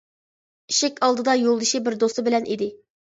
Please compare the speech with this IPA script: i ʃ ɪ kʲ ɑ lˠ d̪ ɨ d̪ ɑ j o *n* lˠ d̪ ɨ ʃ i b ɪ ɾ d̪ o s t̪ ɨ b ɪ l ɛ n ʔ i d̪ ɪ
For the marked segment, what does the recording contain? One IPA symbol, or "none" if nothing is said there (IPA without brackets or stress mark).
none